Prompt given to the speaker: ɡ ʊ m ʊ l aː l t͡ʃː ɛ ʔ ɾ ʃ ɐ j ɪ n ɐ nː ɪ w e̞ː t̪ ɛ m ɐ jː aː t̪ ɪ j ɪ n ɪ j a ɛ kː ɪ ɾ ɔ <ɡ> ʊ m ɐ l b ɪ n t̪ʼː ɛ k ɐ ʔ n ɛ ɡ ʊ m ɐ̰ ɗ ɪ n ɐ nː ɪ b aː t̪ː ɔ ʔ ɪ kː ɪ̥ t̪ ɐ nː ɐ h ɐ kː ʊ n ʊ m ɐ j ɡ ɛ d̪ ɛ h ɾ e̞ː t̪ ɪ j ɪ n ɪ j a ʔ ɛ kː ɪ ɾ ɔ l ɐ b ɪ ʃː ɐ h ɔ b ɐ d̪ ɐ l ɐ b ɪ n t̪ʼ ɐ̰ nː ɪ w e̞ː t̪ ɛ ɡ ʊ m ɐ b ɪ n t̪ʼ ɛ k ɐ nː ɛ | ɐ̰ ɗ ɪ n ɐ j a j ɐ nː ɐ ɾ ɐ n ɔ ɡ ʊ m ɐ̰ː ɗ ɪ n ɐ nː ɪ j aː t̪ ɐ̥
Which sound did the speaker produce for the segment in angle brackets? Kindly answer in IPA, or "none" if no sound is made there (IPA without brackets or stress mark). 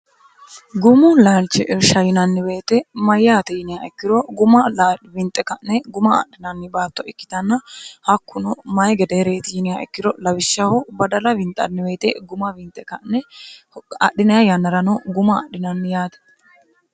ɡ